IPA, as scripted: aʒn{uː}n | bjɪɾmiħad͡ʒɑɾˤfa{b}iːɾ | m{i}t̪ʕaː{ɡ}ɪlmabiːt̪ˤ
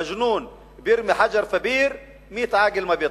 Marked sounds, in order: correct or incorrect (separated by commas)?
correct, correct, incorrect, correct